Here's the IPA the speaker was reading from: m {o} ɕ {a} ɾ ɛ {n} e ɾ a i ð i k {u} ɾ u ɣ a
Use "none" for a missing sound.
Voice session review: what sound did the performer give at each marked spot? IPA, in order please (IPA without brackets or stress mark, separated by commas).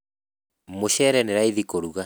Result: o, ɛ, n, o